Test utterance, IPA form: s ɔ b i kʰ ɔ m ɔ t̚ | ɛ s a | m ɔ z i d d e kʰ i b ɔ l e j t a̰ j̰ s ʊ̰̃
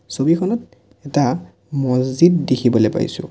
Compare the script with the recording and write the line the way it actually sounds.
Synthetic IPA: s o b i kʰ ɔ n ɔ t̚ | ɛ t a | m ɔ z i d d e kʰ i b ɔ l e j p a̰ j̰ s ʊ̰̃

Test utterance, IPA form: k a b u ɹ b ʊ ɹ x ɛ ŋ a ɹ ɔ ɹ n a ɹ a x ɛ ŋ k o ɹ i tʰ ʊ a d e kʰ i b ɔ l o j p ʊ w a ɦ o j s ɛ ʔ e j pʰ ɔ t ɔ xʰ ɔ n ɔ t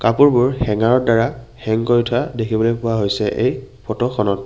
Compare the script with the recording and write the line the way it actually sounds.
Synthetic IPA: k a p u ɹ b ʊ ɹ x ɛ ŋ a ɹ ɔ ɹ d a ɹ a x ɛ ŋ k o ɹ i tʰ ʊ a d e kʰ i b ɔ l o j p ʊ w a ɦ o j s ɛ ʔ e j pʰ ɔ t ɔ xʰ ɔ n ɔ t

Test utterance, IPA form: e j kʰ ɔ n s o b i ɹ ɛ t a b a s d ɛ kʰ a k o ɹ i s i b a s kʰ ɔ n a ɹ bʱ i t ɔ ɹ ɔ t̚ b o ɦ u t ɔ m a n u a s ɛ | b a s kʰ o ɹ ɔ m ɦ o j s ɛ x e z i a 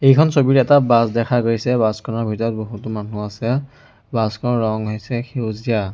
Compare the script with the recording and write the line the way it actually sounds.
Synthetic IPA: e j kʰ ɔ n s o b i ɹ ɛ t a b a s d ɛ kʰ a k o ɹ i s ɛ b a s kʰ ɔ n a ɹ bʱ i t ɔ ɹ ɔ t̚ b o ɦ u t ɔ m a n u a s ɛ | b a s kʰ ɔ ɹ ɔ ŋ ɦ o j s ɛ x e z i a

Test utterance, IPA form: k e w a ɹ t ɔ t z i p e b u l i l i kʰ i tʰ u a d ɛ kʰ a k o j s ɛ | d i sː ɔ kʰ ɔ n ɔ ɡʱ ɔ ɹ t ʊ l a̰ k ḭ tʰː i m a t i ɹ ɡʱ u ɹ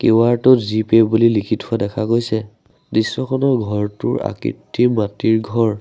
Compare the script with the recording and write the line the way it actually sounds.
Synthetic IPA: k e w a ɹ t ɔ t z i p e b u l i l i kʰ i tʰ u a d ɛ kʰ a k o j s ɛ | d i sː ɔ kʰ ɔ n ɔ ɡʱ ɔ ɹ t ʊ ɹ a̰ k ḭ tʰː i m a t i ɹ ɡʱ ɔ ɹ

